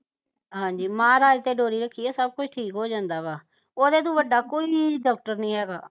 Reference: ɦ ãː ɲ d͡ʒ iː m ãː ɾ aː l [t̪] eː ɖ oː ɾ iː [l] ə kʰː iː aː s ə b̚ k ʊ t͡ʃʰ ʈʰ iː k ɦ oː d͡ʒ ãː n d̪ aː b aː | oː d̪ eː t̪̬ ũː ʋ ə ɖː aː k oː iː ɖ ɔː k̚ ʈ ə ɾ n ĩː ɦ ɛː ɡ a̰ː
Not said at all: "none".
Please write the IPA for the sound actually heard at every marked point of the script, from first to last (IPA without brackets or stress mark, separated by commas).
t̪, ɾ